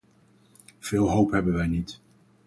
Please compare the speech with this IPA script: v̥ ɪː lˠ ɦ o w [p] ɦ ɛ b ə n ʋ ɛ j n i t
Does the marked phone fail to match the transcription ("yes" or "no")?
no